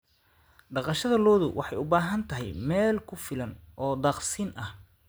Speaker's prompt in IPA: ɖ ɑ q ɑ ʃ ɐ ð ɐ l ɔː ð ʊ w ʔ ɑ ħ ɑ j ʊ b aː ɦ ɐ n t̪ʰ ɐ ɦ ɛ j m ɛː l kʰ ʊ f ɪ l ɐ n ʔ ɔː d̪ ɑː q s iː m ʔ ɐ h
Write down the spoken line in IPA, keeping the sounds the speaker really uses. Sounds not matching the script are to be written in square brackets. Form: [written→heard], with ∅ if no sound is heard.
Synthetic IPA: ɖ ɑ q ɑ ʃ ɐ ð ɐ l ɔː ð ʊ w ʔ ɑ ħ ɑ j ʊ b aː ɦ ɐ n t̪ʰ ɐ ɦ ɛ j m ɛː l kʰ ʊ f ɪ l ɐ n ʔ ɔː d̪ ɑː q s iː [m→n] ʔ ɐ h